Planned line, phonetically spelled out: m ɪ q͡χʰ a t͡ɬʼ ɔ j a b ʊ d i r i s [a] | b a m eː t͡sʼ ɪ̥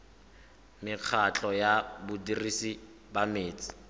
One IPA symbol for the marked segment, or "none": i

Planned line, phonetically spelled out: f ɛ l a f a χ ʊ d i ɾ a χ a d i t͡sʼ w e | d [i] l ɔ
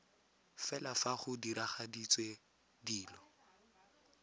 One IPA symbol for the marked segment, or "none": iː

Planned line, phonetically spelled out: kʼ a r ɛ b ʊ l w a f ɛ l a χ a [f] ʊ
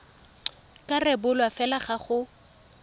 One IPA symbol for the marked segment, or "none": χ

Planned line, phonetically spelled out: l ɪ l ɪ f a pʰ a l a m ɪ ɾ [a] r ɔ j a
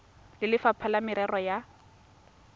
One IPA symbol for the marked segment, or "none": ɛ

